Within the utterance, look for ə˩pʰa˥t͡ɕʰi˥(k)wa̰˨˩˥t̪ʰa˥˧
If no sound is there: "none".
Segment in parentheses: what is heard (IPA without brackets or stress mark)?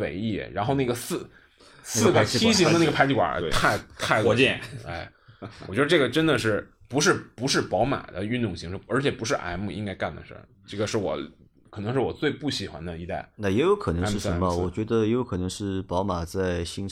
k